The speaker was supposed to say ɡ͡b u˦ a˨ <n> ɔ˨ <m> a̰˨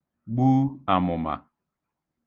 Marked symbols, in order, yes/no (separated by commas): no, yes